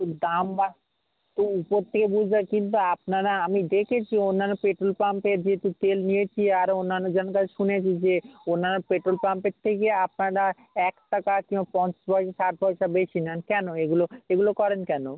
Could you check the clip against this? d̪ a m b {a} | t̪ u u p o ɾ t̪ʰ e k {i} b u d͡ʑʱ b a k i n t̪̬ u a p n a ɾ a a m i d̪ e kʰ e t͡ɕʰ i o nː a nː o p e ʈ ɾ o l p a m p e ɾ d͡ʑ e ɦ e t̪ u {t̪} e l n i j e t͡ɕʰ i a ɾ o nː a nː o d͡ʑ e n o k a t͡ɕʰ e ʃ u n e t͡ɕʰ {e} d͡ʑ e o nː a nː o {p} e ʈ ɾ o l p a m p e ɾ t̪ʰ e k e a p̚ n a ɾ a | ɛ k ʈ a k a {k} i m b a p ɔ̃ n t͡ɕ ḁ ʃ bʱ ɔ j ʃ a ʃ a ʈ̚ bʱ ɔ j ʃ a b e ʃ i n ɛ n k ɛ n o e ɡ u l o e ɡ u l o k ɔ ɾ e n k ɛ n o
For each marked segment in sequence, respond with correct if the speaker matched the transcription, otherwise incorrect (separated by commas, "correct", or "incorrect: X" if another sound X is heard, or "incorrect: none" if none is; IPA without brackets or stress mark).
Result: correct, incorrect: e, correct, incorrect: i, correct, correct